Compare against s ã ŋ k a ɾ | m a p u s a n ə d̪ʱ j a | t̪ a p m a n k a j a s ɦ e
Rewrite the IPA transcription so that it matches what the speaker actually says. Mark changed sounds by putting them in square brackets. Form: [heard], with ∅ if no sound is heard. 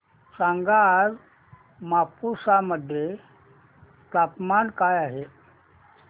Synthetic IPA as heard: s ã ŋ [ɡ] a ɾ | m a p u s a [m] ə d̪ʱ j [e] | t̪ a p m a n k a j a [∅] ɦ e